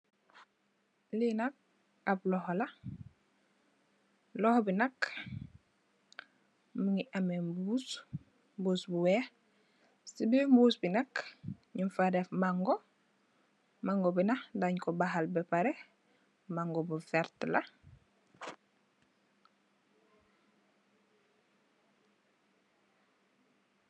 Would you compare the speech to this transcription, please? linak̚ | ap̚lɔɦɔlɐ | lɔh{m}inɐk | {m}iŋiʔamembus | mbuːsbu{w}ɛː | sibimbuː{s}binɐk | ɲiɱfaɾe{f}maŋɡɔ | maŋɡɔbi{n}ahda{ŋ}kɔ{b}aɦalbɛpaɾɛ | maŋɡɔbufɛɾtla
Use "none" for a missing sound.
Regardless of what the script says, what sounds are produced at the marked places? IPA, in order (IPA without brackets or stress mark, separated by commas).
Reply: b, m, w, s, f, n, ɲ, b